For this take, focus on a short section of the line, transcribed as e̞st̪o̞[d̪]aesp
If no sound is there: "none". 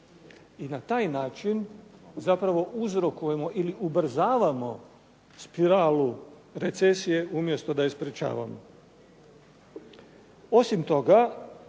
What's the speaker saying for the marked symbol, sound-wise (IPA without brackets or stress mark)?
d̪